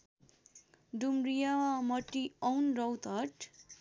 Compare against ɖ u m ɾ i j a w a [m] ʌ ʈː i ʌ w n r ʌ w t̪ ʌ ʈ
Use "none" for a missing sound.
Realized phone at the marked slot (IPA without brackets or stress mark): m